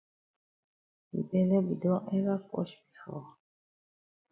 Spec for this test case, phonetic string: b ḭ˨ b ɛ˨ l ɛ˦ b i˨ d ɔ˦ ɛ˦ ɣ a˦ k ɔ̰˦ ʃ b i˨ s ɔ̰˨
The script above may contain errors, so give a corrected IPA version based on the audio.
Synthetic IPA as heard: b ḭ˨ b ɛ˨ l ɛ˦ b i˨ d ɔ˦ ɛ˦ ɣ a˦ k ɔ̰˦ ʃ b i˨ f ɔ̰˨